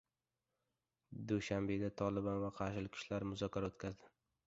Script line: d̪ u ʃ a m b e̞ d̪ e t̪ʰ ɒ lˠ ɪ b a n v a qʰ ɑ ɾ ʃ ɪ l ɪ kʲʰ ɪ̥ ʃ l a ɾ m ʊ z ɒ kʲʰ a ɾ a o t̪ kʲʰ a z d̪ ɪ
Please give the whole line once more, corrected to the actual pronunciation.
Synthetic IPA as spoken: d̪ u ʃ a m b e̞ d̪ a t̪ʰ ɒ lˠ ɪ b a n v a qʰ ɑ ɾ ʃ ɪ l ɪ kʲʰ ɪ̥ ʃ l a ɾ m ʊ z ɒ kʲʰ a ɾ a o t̪ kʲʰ a z d̪ ɪ

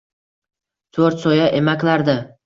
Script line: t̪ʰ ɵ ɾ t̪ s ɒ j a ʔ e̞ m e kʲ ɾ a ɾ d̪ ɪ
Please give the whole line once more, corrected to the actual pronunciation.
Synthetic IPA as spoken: t̪ʰ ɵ ɾ t̪ s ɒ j a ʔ e̞ m a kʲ l a ɾ d̪ ɪ

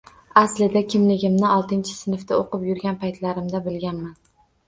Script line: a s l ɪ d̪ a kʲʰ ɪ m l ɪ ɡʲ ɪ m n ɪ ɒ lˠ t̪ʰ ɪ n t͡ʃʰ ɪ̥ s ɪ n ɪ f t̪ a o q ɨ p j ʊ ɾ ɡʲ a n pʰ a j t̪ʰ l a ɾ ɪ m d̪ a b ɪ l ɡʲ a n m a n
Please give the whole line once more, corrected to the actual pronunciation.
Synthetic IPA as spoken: a s l ɪ d̪ a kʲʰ ɪ m l ɪ ɡʲ ɪ m n ɪ ɒ lˠ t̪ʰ ɪ n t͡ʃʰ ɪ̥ s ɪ n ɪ f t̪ a o q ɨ p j ʊ ɾ ɡʲ a n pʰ a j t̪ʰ l a ɾ ɪ m d̪ a b ɪ l ɡʲ a n m a n

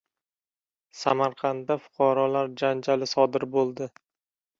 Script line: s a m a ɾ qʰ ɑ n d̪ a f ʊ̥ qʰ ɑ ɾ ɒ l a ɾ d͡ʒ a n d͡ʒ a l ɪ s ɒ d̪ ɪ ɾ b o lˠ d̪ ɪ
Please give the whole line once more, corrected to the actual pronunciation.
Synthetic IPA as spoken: s a m a ɾ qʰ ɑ n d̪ a f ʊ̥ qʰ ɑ ɾ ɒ l a ɾ d͡ʒ a n d͡ʒ a l ɪ s ɒ d̪ ɪ ɾ b o lˠ d̪ ɪ

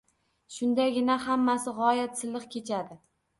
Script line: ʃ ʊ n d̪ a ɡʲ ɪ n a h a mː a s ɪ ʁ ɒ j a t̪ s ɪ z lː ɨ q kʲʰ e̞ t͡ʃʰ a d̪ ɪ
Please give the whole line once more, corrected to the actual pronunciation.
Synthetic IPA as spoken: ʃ ʊ n d̪ a ɡʲ ɪ n a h a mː a s ɪ ʁ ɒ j a t̪ s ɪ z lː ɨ q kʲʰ e̞ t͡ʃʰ a d̪ ɪ

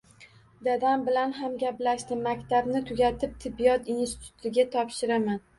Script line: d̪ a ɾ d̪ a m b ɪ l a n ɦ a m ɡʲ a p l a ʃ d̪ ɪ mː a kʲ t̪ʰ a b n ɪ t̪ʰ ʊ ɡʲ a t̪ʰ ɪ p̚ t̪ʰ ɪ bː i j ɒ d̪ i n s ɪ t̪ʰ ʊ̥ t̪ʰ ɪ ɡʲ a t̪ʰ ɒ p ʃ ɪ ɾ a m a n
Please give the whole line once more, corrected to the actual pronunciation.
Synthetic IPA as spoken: d̪ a d̪ a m b ɪ l a n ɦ a m ɡʲ a p l a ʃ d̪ ɪ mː a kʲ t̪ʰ a b n ɪ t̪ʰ ʊ ɡʲ a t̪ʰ ɪ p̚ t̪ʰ ɪ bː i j ɒ t̪ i n s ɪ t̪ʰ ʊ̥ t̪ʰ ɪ ɡʲ a t̪ʰ ɒ p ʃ ɪ ɾ a m a n

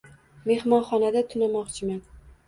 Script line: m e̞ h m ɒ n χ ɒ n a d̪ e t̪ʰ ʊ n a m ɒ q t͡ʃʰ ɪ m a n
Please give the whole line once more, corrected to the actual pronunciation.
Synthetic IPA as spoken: m e̞ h m ɒ n χ ɒ n a d̪ a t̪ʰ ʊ n a m ɒ q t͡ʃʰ ɪ m a n

